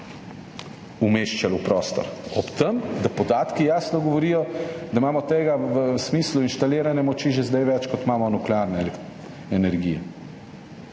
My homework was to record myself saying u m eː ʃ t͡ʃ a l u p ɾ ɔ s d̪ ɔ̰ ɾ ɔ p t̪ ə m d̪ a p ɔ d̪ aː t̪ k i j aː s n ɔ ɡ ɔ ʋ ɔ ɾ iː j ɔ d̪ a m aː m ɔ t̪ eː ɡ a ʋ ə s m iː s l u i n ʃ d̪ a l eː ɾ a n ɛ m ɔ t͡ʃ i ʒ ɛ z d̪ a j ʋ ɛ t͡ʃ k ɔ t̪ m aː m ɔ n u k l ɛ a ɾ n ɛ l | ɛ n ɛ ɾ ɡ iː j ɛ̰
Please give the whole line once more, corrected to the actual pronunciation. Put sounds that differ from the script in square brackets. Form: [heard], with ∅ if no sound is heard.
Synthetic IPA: u m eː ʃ t͡ʃ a l u p ɾ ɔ s [t̪] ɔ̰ ɾ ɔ p t̪ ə m d̪ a p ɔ d̪ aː t̪ k i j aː s n ɔ ɡ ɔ ʋ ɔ ɾ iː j ɔ d̪ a m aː m ɔ t̪ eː ɡ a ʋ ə s m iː s l u i n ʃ [t̪] a l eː ɾ a n ɛ m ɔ t͡ʃ i ʒ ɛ z d̪ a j ʋ ɛ t͡ʃ k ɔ t̪ m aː m ɔ n u k l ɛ a ɾ n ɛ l | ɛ n ɛ ɾ ɡ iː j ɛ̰

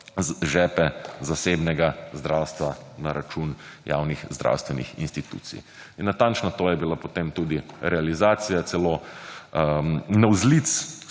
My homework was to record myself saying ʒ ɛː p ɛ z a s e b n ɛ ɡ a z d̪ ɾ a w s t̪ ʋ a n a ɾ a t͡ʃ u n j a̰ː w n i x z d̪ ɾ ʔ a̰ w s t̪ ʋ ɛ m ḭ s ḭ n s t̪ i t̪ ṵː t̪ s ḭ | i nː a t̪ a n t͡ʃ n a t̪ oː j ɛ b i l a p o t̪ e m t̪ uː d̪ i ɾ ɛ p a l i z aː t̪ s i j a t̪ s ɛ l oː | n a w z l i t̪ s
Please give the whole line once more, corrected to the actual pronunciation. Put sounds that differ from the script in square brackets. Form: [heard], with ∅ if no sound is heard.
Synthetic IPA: ʒ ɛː p ɛ z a s e b n ɛ ɡ a z d̪ ɾ a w s t̪ ʋ a n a ɾ a t͡ʃ u n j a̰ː w n i x z d̪ ɾ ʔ a̰ w s t̪ ʋ ɛ [n] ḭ [x] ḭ n s t̪ i t̪ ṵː t̪ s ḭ | i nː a t̪ a n t͡ʃ n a t̪ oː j ɛ b i l a p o t̪ e m t̪ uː d̪ i ɾ ɛ [∅] a l i z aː t̪ s i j a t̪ s ɛ l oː | n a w z l i t̪ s

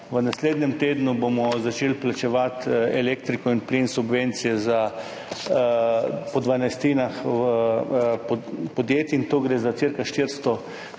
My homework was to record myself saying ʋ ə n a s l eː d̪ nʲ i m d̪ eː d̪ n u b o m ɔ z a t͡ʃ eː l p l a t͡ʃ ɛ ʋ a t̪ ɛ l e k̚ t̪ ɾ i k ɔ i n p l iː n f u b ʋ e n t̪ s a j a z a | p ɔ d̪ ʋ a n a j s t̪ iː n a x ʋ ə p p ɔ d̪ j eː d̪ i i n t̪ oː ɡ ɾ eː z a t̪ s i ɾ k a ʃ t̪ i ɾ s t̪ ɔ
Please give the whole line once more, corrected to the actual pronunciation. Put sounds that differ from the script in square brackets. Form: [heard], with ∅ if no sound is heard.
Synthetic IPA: ʋ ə n a s l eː d̪ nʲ [ɛ] m [t̪] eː d̪ n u b o m ɔ z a t͡ʃ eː l p l a t͡ʃ ɛ ʋ a t̪ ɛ l e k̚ t̪ ɾ i k ɔ i n p l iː n [s] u b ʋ e n t̪ s [i] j [ɛ] z a | p ɔ d̪ ʋ a n a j s t̪ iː n a x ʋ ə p p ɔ d̪ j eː [t̪] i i n t̪ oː ɡ ɾ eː z a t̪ s i ɾ k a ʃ t̪ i ɾ s t̪ ɔ

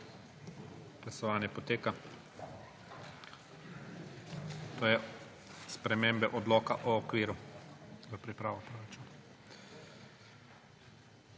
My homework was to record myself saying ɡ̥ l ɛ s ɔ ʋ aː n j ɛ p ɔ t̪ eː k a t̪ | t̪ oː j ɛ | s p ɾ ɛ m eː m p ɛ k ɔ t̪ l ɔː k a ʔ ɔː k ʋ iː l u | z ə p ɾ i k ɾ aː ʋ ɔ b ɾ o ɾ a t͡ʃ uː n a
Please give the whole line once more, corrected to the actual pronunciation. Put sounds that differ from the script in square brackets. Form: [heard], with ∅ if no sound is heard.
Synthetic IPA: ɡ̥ l [a] s ɔ ʋ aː n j ɛ p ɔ t̪ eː k a [∅] | t̪ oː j ɛ | s p ɾ ɛ m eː m [b] ɛ [ʔ] ɔ [d̪] l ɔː k a ʔ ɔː k ʋ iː [ɾ] u | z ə p ɾ i [p] ɾ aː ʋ ɔ [p] ɾ o ɾ a t͡ʃ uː n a

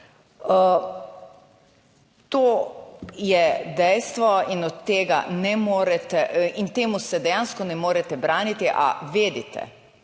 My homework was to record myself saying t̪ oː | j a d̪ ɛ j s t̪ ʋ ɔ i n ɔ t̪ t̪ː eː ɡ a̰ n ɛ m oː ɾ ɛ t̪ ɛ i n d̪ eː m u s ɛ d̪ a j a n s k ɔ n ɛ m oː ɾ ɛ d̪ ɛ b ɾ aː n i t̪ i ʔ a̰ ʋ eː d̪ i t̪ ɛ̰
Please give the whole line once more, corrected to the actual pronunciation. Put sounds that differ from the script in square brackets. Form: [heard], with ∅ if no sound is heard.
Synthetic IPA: t̪ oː | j [ɛ] d̪ ɛ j s t̪ ʋ ɔ i n ɔ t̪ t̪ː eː ɡ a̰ n ɛ m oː ɾ ɛ t̪ ɛ i n [t̪] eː m u s ɛ d̪ [ɛ] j a n s k ɔ n ɛ m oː ɾ ɛ [t̪] ɛ b ɾ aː n i t̪ i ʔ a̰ ʋ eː d̪ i t̪ ɛ̰

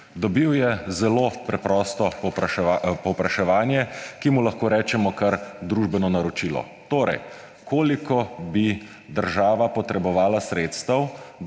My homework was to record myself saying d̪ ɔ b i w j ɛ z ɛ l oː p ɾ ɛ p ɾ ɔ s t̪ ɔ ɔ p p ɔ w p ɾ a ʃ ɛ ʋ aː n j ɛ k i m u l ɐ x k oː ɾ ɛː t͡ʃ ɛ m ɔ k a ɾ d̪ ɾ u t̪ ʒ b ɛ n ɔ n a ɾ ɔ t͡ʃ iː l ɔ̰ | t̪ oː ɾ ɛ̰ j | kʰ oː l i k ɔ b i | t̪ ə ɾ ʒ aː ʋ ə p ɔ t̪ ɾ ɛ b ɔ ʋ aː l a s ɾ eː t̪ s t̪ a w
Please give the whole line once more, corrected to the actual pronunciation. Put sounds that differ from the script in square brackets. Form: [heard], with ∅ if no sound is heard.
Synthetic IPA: d̪ ɔ b i w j ɛ z ɛ l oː p ɾ ɛ p ɾ ɔ s t̪ ɔ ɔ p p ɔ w p ɾ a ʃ ɛ ʋ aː n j ɛ k i m u l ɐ x k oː ɾ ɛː t͡ʃ ɛ m ɔ k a ɾ d̪ ɾ u [∅] ʒ b ɛ n ɔ n a ɾ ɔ t͡ʃ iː l ɔ̰ | t̪ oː ɾ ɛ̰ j | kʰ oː l i k ɔ b i | [d̪] ə ɾ ʒ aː ʋ [a] p ɔ t̪ ɾ ɛ b ɔ ʋ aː l a s ɾ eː t̪ s t̪ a w

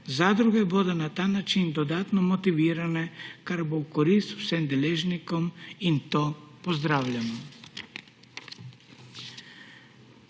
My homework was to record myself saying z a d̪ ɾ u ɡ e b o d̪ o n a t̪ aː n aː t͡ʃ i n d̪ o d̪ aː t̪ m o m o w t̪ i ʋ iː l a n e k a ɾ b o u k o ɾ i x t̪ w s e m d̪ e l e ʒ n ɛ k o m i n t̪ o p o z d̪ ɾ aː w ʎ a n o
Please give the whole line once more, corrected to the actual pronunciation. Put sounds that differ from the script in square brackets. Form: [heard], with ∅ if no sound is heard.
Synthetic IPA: z a d̪ ɾ u ɡ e b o d̪ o n a t̪ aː n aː t͡ʃ i n d̪ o d̪ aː t̪ [n] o m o [∅] t̪ i ʋ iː [ɾ] a n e k a ɾ b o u k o ɾ i [s] t̪ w s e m d̪ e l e ʒ n [i] k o m i n t̪ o p o z d̪ ɾ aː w ʎ a n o

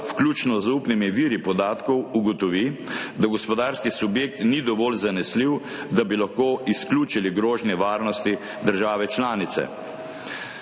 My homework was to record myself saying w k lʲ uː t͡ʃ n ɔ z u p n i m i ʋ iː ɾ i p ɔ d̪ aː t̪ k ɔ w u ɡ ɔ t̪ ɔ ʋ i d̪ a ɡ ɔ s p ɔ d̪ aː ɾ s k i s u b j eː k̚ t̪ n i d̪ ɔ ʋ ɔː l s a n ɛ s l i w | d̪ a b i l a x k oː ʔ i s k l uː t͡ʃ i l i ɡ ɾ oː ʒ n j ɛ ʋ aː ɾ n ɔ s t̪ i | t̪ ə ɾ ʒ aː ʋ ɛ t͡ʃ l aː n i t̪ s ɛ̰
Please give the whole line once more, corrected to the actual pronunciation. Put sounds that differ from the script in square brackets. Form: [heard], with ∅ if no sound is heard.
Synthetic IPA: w k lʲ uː t͡ʃ n ɔ z u p n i m i ʋ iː ɾ i p ɔ d̪ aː t̪ k ɔ w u ɡ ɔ t̪ ɔ ʋ i d̪ a ɡ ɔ s p ɔ d̪ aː ɾ s k i s u b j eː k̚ t̪ n i d̪ ɔ ʋ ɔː l [z] a n ɛ s l i w | d̪ a b i l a x k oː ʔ i s k l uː t͡ʃ i l i ɡ ɾ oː ʒ n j ɛ ʋ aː ɾ n ɔ s t̪ i | [d̪] ə ɾ ʒ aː ʋ ɛ t͡ʃ l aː n i t̪ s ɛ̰

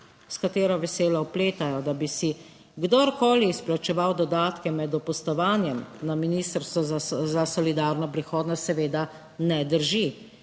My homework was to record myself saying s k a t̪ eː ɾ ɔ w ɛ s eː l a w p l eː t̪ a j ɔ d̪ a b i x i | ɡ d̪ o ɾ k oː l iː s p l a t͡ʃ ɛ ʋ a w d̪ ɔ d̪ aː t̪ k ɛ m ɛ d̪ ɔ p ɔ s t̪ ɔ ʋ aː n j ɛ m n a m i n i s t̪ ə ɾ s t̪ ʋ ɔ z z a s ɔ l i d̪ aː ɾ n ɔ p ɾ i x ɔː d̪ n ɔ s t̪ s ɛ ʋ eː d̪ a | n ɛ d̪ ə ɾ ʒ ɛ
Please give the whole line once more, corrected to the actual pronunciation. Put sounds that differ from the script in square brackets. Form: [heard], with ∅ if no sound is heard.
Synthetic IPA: s k a t̪ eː ɾ ɔ [ʋ] ɛ s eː l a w p l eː t̪ a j ɔ d̪ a b i [s] i | ɡ d̪ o ɾ k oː l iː s p l a t͡ʃ ɛ ʋ a w d̪ ɔ d̪ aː t̪ k ɛ m ɛ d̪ ɔ p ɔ s t̪ ɔ ʋ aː n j ɛ m n a m i n i s t̪ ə ɾ s t̪ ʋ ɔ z z a s ɔ l i d̪ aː ɾ n ɔ p ɾ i x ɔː d̪ n ɔ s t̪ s ɛ ʋ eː d̪ a | n ɛ d̪ ə ɾ ʒ [i]

